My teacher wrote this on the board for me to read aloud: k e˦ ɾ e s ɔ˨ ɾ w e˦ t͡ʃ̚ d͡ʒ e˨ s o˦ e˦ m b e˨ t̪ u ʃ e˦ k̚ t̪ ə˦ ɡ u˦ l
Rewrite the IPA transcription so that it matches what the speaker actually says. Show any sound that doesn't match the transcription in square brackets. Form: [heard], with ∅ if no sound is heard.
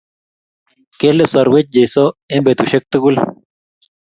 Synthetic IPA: k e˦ [l] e s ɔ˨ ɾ w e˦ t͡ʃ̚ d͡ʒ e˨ s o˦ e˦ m b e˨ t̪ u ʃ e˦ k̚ t̪ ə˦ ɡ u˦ l